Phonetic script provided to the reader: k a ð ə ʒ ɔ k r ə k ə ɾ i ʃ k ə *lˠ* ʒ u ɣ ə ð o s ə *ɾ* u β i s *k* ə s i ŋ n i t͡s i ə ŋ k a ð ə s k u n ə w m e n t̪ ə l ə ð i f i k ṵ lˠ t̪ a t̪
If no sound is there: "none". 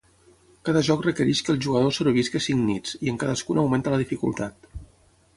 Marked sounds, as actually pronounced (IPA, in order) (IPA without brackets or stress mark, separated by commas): lˠ, ɾ, k